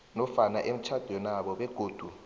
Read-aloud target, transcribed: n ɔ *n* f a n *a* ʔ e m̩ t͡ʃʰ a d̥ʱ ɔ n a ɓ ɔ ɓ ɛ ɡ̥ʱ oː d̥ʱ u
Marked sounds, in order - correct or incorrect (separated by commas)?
incorrect, correct